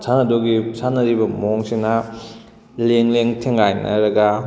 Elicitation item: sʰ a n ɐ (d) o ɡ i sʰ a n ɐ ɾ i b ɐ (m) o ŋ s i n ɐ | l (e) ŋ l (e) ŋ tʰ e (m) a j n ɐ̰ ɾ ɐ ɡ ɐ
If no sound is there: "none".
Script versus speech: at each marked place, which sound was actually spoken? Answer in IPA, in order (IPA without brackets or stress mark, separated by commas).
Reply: d, m, e, e, ŋ